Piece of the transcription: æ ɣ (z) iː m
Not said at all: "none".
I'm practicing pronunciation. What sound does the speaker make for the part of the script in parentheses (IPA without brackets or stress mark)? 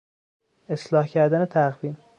v